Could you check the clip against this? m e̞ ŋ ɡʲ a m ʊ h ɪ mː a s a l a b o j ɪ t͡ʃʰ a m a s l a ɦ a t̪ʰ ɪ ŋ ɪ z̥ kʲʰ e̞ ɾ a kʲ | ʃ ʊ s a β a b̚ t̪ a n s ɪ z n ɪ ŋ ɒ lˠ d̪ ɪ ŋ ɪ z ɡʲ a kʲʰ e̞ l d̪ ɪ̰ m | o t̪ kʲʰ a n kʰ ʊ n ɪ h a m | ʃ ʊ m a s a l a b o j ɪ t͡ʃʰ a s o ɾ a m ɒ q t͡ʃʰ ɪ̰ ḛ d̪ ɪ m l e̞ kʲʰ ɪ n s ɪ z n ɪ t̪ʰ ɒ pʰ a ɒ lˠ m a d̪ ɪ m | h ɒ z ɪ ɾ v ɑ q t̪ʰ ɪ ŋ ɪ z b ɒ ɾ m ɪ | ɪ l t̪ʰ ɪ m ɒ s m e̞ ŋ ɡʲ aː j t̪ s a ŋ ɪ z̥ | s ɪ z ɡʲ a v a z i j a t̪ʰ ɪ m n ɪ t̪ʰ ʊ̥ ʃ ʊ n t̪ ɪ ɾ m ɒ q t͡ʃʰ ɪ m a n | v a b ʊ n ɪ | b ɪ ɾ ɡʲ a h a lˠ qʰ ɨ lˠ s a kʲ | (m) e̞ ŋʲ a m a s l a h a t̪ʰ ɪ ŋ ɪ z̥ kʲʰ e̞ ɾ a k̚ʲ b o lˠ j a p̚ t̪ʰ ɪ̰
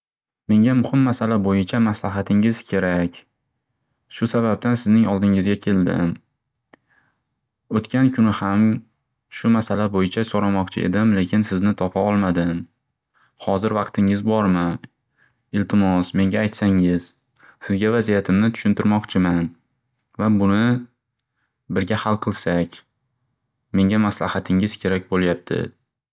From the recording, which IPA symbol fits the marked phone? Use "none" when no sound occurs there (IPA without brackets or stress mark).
m